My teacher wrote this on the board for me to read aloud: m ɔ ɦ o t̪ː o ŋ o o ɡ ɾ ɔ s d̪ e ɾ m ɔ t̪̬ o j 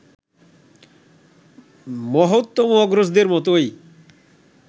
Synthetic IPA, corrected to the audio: m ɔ ɦ o t̪ː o m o ɔ ɡ ɾ o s d̪ e ɾ m ɔ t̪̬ o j